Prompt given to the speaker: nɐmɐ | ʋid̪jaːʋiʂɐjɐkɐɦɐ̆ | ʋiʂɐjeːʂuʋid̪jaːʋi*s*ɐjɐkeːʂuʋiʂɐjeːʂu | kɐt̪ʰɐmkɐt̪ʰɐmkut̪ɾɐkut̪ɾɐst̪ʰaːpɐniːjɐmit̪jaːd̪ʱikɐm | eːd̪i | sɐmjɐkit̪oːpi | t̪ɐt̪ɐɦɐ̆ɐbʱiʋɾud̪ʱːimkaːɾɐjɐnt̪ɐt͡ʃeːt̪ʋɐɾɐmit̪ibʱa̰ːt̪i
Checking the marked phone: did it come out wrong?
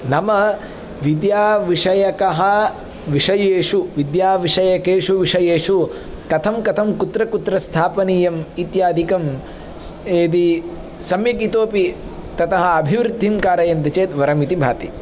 yes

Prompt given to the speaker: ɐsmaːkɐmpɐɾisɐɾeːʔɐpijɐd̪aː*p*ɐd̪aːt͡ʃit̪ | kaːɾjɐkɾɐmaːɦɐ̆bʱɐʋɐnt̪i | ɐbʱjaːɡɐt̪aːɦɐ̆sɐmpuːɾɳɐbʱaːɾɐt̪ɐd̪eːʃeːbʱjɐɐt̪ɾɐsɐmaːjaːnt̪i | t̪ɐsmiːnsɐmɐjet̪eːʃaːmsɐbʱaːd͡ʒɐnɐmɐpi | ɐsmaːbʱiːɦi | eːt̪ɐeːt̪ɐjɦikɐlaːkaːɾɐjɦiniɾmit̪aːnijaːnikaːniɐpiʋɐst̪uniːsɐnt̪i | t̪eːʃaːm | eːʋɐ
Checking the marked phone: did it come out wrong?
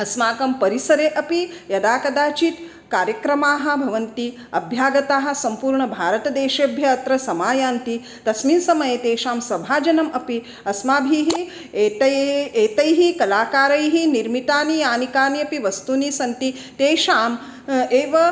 yes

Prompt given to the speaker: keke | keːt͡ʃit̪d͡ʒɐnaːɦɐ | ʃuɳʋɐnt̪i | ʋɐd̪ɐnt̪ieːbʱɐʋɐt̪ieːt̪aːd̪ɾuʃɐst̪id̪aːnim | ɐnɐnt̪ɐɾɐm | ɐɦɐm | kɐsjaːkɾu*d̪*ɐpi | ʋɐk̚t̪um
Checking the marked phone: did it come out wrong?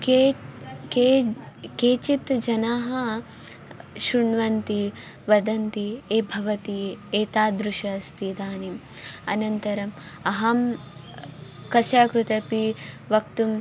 yes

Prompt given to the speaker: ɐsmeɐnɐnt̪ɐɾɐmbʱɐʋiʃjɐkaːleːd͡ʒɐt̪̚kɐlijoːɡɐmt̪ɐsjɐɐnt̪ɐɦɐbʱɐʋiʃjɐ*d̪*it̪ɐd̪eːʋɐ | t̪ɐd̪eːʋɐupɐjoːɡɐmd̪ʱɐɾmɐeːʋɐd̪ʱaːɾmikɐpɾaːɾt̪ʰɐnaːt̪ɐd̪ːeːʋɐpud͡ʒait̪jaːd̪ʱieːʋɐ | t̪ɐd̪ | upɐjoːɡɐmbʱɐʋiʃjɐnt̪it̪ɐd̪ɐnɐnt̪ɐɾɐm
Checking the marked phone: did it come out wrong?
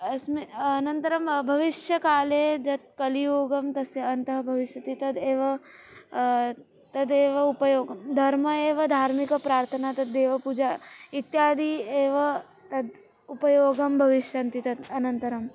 yes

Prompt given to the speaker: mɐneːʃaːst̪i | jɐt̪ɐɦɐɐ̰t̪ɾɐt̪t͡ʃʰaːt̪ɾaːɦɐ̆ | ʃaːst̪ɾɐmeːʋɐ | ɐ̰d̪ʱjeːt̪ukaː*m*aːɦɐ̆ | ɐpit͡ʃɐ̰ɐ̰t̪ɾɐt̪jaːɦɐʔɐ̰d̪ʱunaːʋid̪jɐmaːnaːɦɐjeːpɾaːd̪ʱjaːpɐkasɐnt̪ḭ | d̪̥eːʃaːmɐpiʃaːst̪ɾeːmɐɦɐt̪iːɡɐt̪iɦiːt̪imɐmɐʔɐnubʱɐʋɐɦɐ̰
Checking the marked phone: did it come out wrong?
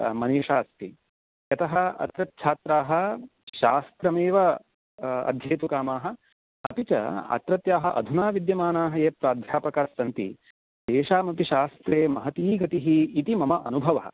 no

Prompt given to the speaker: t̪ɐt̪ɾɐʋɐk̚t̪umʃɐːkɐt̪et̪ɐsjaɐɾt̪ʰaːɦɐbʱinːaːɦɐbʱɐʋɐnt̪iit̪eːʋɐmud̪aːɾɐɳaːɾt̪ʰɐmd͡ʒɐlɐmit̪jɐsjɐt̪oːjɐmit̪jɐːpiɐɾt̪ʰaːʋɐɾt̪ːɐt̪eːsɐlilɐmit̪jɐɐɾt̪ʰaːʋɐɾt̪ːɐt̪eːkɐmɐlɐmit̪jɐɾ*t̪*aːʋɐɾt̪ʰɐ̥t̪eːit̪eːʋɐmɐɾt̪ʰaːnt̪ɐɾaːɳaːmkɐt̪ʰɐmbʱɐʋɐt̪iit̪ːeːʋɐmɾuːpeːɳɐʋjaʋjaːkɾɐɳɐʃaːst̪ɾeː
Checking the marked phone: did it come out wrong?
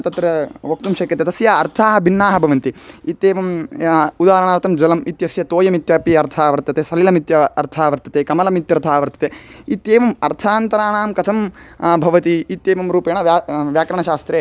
yes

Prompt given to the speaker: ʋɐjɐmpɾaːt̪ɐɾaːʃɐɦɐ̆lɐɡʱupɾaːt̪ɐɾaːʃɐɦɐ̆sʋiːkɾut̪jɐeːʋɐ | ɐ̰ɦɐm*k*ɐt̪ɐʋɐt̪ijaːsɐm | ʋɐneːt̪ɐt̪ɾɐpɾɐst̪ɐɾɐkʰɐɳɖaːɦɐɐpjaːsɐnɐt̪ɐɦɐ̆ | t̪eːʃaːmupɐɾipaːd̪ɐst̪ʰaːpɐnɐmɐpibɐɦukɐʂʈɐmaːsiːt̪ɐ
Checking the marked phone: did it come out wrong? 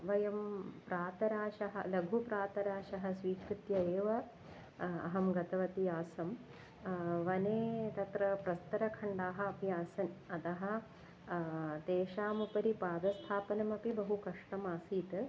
yes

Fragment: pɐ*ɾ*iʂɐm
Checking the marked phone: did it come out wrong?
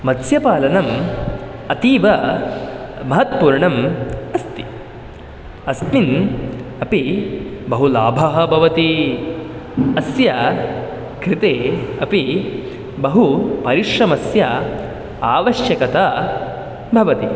no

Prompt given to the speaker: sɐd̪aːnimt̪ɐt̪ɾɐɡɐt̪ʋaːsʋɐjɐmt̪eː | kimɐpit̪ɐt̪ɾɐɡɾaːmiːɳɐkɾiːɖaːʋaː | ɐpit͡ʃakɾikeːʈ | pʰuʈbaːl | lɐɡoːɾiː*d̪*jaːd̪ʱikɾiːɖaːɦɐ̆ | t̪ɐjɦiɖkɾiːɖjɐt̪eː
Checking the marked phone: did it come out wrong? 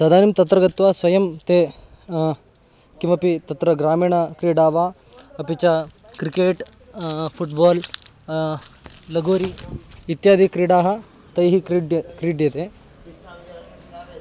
yes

